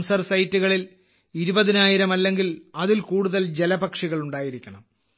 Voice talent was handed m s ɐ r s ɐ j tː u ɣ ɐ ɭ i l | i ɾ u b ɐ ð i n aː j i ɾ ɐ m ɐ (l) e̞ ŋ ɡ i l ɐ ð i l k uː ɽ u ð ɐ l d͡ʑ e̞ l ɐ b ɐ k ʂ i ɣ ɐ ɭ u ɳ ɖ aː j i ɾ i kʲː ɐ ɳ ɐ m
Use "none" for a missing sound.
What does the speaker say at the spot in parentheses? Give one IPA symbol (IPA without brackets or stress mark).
lː